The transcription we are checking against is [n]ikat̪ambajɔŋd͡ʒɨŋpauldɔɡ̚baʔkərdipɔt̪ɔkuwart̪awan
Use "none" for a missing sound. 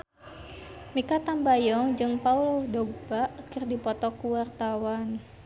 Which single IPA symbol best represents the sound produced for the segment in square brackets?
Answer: m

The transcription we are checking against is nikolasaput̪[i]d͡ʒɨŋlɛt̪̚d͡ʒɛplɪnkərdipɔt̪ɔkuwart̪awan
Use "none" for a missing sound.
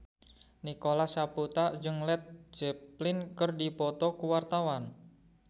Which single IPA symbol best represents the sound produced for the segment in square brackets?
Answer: a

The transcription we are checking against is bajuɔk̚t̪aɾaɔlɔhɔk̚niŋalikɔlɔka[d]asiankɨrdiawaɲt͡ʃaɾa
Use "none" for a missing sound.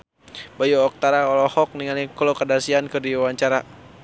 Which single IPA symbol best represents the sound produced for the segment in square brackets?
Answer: d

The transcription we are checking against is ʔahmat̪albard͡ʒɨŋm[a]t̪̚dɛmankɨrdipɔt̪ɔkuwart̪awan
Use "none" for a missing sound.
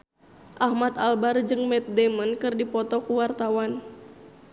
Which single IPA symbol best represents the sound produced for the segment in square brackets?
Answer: ɛ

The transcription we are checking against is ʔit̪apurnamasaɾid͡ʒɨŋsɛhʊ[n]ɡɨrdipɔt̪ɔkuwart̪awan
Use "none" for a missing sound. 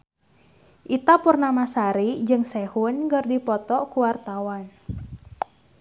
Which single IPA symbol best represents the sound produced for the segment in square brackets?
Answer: n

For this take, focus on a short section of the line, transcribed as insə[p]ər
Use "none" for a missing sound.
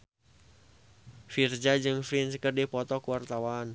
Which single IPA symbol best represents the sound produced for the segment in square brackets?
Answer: k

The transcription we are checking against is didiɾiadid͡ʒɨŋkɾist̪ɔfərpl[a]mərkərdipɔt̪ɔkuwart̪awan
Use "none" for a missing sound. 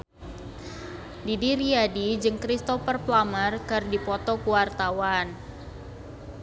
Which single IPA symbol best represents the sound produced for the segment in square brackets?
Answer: a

